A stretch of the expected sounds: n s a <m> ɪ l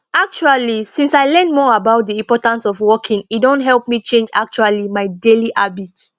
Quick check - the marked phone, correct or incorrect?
incorrect